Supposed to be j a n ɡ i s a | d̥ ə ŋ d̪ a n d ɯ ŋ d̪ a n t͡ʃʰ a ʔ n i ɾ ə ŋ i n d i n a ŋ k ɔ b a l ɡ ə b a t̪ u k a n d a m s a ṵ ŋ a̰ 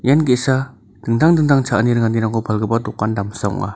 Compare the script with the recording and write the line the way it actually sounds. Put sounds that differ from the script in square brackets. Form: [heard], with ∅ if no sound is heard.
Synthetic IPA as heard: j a n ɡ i s a | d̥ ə ŋ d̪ a [ŋ] d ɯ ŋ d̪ a [ŋ] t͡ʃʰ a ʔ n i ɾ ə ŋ [a] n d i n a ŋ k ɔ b a l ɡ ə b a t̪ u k a n d a m s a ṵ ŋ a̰